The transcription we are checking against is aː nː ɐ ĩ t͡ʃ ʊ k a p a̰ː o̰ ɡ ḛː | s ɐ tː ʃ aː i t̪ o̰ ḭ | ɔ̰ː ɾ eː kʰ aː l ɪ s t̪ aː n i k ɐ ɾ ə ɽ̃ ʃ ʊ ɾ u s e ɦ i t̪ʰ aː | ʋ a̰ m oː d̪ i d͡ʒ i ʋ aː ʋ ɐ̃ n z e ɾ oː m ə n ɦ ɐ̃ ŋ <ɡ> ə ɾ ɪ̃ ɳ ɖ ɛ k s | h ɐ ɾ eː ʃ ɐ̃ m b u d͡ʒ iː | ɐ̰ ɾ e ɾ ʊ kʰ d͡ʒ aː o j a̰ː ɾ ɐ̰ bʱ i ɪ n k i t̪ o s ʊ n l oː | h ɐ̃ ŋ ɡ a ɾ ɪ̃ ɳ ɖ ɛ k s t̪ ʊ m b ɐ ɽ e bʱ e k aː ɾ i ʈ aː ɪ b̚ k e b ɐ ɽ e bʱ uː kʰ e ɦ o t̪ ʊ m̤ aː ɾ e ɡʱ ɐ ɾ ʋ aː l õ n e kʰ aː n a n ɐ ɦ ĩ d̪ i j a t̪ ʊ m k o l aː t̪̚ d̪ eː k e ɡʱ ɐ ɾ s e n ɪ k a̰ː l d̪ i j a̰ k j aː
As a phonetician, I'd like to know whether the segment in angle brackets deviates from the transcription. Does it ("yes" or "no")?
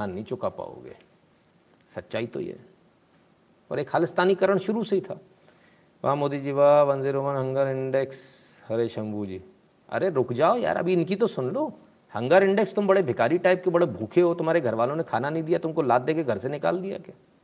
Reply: no